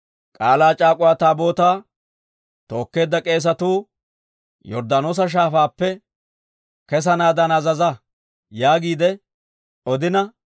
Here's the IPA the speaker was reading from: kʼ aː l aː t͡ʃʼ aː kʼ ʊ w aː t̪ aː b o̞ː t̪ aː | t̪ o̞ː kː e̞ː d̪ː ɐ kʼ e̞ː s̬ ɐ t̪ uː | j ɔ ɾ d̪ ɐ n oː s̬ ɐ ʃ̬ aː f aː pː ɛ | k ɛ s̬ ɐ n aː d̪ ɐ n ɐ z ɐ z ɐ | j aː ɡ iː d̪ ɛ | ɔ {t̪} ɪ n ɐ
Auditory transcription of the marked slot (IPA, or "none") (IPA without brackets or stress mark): d̪